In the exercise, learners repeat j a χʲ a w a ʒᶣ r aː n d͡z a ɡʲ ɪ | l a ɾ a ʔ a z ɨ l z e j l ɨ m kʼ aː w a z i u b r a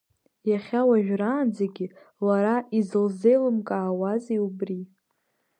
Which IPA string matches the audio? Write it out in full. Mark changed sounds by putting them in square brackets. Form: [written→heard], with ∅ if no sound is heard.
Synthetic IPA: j a χʲ a w a ʒᶣ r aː n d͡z a ɡʲ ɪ | l a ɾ a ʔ [a→i] z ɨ l z e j l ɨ m kʼ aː w a z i u b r [a→i]